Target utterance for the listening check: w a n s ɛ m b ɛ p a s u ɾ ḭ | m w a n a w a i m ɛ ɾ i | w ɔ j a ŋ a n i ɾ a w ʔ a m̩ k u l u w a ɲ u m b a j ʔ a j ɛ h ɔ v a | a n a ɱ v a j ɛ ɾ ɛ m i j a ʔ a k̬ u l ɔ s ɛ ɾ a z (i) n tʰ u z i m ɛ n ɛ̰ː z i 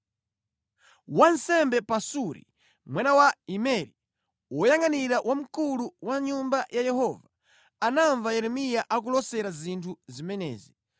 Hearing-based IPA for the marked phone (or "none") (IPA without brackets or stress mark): i